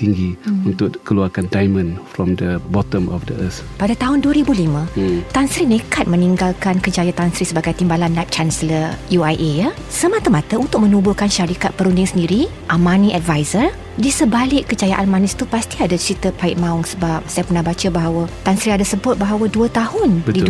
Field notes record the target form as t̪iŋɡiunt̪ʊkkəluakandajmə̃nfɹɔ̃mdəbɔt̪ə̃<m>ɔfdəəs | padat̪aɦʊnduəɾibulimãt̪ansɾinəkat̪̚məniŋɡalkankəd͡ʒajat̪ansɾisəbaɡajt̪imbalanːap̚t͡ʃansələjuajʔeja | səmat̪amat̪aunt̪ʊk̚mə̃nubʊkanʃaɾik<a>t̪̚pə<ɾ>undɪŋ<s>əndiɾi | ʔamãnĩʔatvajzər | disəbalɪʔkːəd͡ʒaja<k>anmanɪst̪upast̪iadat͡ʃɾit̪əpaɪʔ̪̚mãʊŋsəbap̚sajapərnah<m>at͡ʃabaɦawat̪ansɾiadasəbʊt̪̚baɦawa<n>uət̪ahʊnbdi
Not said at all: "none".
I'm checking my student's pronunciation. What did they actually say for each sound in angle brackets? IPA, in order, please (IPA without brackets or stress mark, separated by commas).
m, a, ɾ, s, ʔ, b, d